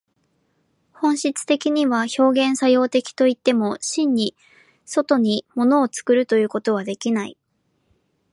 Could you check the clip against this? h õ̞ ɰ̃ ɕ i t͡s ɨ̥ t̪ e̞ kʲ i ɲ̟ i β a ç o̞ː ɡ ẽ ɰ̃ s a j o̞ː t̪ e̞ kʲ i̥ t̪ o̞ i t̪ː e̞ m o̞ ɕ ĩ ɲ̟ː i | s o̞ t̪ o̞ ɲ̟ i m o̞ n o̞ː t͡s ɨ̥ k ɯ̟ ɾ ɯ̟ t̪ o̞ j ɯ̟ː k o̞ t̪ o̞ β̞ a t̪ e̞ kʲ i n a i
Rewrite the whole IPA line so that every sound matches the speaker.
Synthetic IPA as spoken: h õ̞ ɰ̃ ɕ i t͡s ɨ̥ t̪ e̞ kʲ i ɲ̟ i β a ç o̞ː ɡ ẽ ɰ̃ s a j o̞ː t̪ e̞ kʲ i̥ t̪ o̞ i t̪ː e̞ m o̞ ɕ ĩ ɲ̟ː i | s o̞ t̪ o̞ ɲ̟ i m o̞ n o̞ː t͡s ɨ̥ k ɯ̟ ɾ ɯ̟ t̪ o̞ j ɯ̟ː k o̞ t̪ o̞ β̞ a d̪ e̞ kʲ i n a i

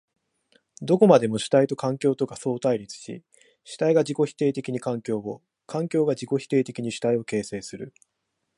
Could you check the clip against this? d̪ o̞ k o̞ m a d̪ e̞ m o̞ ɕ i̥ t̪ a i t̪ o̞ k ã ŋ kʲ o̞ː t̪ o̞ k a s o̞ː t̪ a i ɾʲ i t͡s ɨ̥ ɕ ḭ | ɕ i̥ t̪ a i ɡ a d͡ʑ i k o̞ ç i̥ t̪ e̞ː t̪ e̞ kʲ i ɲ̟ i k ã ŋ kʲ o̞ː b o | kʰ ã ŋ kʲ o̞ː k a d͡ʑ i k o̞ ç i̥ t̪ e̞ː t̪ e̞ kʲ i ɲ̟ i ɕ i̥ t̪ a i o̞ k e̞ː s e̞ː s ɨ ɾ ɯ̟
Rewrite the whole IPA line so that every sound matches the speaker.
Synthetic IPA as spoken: d̪ o̞ k o̞ m a d̪ e̞ m o̞ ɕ i̥ t̪ a i t̪ o̞ k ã ŋ kʲ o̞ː t̪ o̞ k a s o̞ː t̪ a i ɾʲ i t͡s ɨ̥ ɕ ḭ | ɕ i̥ t̪ a i ɡ a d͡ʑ i k o̞ ç i̥ t̪ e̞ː t̪ e̞ kʲ i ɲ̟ i k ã ŋ kʲ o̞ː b o | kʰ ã ŋ kʲ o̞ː ɡ a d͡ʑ i k o̞ ç i̥ t̪ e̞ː t̪ e̞ kʲ i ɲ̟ i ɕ i̥ t̪ a i o̞ k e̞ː s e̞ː s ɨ ɾ ɯ̟

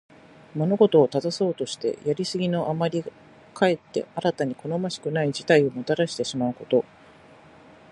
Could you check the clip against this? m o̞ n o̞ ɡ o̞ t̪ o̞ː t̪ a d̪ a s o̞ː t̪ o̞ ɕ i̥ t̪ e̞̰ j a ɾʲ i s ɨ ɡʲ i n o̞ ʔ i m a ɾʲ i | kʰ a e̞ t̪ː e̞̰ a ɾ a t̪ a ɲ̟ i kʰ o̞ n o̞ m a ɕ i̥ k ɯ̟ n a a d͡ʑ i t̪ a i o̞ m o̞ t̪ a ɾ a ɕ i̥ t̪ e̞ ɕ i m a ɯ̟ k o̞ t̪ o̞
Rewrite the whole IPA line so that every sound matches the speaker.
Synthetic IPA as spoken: m o̞ n o̞ ɡ o̞ t̪ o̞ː t̪ a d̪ a s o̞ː t̪ o̞ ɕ i̥ t̪ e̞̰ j a ɾʲ i s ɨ ɡʲ i n o̞ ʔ a m a ɾʲ i | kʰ a e̞ t̪ː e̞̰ a ɾ a t̪ a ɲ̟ i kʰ o̞ n o̞ m a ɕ i̥ k ɯ̟ n a i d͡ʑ i t̪ a i o̞ m o̞ t̪ a ɾ a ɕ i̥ t̪ e̞ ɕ i m a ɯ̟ k o̞ t̪ o̞

